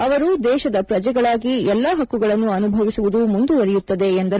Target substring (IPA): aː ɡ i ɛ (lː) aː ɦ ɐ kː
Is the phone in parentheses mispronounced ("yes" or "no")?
no